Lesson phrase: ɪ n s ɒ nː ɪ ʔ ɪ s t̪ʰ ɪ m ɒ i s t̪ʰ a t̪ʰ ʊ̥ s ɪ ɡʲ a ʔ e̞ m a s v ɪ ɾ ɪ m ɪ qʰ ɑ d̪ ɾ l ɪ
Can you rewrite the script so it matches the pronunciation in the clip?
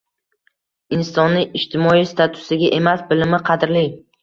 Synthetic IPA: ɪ n s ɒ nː ɪ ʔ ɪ ʃ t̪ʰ ɪ m ɒ i s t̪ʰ a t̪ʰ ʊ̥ s ɪ ɡʲ a ʔ e̞ m a s b ɪ l ɪ m ɪ qʰ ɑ d̪ ɾ l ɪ